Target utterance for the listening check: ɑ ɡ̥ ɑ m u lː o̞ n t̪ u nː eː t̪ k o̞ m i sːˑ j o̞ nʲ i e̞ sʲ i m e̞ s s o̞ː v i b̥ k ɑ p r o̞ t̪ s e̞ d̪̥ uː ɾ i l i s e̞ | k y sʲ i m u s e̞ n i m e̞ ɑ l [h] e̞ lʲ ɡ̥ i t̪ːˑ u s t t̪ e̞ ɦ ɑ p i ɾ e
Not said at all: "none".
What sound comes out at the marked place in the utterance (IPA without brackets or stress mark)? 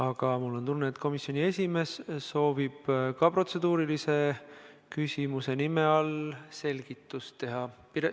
s